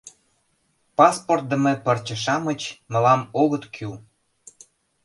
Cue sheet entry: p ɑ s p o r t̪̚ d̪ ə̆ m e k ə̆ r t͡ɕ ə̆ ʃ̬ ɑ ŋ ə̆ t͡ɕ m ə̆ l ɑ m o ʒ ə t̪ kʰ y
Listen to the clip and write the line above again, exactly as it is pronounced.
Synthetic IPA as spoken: p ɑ s p o r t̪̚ d̪ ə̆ m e p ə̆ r t͡ɕ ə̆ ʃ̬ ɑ m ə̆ t͡ɕ m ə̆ l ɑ m o ɣ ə t̪ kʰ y